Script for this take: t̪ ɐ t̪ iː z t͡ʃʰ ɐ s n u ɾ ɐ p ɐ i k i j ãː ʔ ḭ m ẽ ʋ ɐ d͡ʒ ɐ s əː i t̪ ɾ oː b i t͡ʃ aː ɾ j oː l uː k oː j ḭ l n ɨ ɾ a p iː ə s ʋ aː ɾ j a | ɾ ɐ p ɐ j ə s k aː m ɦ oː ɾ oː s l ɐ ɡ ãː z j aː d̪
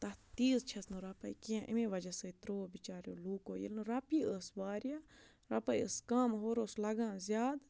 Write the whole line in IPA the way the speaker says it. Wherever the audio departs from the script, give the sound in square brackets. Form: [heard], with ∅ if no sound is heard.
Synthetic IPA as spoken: t̪ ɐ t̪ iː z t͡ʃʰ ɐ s n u ɾ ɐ p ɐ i k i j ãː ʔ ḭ m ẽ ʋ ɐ d͡ʒ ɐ s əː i t̪ ɾ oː b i t͡ʃ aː ɾ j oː l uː k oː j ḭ l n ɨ ɾ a p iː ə s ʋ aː ɾ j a | ɾ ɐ p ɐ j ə s k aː m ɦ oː ɾ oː s l ɐ ɡ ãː z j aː d̪